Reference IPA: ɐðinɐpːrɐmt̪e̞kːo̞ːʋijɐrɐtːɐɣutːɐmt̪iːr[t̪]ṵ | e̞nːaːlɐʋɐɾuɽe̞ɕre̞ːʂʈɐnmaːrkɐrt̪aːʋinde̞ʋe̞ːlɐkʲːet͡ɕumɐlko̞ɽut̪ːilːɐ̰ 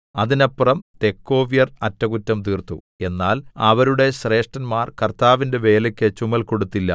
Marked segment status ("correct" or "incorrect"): correct